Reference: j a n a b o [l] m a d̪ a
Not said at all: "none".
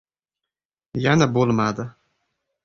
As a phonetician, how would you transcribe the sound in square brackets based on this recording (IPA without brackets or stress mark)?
l